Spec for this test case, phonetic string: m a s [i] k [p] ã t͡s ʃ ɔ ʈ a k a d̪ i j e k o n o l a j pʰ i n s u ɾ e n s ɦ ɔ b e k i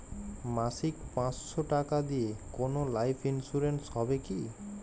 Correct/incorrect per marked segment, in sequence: correct, correct

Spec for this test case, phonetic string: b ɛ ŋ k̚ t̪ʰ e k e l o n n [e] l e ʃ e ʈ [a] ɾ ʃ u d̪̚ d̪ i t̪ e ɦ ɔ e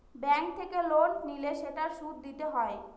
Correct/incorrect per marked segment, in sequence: incorrect, correct

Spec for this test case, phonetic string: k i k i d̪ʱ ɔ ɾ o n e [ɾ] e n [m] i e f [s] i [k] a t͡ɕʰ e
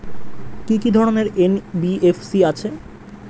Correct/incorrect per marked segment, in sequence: correct, incorrect, correct, incorrect

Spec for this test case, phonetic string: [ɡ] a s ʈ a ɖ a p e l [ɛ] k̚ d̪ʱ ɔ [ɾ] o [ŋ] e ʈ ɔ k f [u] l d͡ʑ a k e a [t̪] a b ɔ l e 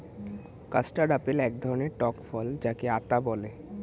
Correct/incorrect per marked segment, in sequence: incorrect, correct, correct, incorrect, incorrect, correct

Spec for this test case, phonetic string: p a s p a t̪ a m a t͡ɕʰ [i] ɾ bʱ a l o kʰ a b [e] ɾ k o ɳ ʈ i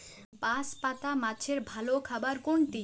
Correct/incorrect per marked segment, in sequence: incorrect, incorrect

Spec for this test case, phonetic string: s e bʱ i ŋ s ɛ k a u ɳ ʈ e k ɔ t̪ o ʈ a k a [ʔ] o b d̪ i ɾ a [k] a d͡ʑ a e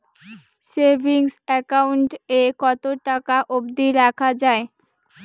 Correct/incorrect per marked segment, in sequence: correct, incorrect

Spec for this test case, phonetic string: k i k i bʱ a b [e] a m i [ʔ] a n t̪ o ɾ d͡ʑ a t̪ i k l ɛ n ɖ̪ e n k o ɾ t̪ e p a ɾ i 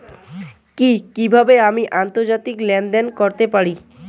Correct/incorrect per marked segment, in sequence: correct, correct

